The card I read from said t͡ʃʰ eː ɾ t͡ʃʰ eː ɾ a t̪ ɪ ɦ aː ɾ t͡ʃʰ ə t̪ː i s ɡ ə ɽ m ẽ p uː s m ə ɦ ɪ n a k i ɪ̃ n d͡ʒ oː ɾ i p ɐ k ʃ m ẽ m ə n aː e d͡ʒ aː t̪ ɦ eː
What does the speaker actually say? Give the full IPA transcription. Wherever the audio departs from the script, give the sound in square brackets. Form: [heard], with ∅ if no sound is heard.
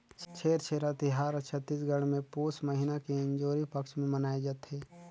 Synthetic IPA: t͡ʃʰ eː ɾ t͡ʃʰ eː ɾ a t̪ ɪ ɦ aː ɾ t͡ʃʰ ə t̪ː i s ɡ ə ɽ m ẽ p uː s m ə ɦ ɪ n a k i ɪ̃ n d͡ʒ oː ɾ i p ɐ k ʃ m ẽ m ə n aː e d͡ʒ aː t̪ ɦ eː